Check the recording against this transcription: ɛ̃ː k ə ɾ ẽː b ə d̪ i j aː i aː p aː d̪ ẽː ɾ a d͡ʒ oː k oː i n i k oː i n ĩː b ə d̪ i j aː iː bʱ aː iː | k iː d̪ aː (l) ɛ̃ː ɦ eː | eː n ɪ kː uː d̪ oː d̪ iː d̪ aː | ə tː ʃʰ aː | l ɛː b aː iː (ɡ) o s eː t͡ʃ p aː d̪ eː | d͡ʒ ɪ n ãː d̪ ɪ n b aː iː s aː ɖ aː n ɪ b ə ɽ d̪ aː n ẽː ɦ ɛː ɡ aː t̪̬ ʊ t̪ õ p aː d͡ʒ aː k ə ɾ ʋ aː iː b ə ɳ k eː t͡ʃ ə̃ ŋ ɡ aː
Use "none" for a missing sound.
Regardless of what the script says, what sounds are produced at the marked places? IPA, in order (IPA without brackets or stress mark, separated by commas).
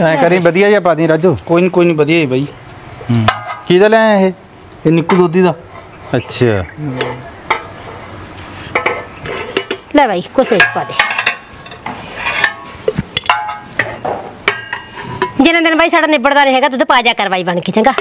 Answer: l, k